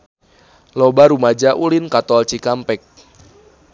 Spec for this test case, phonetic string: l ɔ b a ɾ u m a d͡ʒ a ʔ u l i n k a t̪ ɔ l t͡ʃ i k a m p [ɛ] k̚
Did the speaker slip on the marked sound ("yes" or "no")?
no